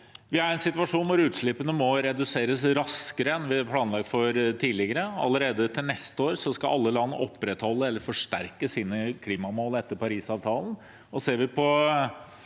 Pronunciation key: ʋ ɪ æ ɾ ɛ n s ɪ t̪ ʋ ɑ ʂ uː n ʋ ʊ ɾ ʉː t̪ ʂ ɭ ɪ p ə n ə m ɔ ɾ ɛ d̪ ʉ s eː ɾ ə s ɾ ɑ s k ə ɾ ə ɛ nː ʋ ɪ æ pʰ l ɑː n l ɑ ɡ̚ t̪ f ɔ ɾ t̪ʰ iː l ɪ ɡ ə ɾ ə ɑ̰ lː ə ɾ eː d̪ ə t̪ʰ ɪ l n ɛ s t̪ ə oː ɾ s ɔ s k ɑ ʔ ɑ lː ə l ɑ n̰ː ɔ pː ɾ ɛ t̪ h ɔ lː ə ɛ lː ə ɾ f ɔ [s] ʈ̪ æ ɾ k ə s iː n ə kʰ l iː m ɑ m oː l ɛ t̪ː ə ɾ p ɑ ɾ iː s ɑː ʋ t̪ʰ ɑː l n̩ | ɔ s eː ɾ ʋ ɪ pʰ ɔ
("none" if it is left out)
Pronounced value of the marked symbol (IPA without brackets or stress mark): ʂ